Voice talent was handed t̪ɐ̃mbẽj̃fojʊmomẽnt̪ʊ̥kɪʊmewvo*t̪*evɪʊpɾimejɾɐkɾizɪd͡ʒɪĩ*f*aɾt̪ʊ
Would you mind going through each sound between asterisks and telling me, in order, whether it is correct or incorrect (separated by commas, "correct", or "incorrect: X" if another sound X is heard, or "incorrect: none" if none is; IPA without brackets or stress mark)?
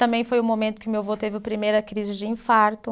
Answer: correct, correct